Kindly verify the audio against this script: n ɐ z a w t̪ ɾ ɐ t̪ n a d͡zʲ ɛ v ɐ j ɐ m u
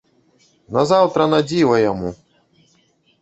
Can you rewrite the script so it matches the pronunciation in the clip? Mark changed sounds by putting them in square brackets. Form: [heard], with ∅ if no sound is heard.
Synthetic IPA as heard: n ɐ z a w t̪ ɾ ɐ [∅] n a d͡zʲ [i] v ɐ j [a] m u